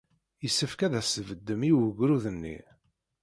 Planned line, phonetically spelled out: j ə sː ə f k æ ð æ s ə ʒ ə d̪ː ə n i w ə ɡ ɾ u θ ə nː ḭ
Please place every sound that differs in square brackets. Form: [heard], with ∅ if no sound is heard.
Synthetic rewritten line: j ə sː ə f k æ ð æ s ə [v] ə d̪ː ə [m] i w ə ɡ ɾ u [ð] ə nː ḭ